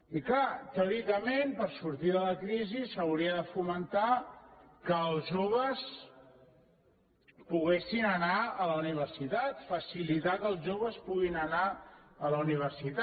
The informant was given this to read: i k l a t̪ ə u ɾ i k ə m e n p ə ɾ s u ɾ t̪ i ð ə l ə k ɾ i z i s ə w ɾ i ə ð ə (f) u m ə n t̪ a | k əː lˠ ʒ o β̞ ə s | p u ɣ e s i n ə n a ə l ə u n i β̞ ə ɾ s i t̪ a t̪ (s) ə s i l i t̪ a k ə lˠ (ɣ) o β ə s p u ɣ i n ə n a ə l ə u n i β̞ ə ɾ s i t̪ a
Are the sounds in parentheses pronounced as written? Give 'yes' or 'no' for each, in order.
yes, no, no

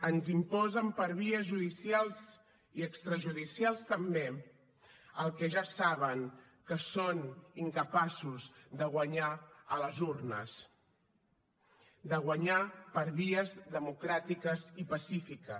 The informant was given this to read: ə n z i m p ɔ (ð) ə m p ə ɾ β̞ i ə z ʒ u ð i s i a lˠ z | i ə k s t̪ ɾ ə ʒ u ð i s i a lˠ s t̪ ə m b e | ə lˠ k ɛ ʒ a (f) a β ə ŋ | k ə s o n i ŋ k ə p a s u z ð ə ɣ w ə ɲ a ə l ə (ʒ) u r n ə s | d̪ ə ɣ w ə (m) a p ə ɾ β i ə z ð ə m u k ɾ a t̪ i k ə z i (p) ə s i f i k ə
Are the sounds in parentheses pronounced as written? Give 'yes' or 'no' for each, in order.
no, no, no, no, yes

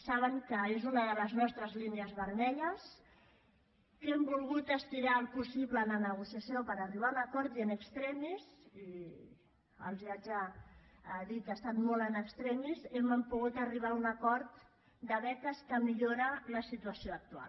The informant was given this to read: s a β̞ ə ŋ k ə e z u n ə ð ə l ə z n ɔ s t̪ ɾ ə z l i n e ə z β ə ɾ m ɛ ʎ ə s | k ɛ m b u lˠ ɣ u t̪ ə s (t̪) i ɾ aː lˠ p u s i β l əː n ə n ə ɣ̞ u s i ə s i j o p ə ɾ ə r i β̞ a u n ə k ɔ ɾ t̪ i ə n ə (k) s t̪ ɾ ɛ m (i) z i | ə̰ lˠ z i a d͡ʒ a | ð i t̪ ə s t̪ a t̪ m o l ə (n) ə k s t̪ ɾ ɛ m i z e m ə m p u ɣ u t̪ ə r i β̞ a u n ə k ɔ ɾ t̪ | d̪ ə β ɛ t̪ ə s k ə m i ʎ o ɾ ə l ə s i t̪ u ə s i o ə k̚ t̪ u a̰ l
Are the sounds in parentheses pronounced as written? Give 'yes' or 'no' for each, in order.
yes, yes, yes, yes

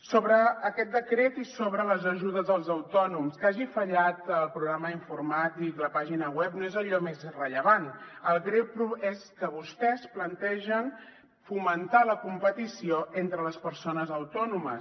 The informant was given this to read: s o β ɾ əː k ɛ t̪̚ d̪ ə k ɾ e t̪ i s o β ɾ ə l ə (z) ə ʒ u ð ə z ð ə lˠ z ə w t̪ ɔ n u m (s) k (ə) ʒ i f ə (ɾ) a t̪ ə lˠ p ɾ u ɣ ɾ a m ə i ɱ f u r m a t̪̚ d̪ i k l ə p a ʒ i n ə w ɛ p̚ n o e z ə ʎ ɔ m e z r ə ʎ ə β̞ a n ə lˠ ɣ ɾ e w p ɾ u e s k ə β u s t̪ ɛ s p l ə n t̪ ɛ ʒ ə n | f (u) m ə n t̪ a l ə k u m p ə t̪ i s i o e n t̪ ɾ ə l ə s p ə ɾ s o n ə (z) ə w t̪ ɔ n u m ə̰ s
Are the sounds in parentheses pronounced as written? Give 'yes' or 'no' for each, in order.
yes, yes, no, no, yes, yes

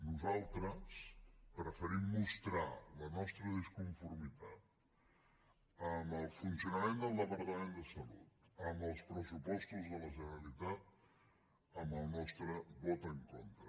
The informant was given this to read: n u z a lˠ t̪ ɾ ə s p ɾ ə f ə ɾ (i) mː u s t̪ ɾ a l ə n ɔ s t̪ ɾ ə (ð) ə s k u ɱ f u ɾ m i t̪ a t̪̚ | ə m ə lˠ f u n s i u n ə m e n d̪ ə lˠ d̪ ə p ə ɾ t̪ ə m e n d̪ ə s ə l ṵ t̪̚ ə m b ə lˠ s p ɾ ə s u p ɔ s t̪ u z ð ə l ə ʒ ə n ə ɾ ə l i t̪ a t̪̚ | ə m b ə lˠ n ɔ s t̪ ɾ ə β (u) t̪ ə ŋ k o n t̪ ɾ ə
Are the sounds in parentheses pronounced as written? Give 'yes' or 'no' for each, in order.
yes, yes, no

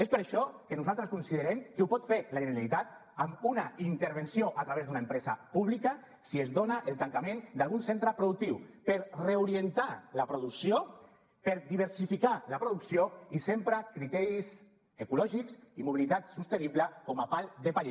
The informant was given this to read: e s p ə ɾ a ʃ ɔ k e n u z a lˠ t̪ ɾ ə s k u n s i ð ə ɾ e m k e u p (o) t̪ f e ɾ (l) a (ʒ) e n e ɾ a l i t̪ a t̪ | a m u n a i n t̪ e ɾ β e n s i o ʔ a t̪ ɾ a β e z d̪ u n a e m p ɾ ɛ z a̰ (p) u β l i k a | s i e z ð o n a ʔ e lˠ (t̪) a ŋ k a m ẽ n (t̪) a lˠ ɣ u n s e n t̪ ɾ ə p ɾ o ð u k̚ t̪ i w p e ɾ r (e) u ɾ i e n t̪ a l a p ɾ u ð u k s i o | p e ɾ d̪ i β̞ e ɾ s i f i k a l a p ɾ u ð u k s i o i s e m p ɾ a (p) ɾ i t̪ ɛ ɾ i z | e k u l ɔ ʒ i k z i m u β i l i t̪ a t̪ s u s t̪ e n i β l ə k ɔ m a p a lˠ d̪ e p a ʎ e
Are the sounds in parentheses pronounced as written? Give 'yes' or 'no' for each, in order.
no, yes, yes, yes, yes, no, yes, no

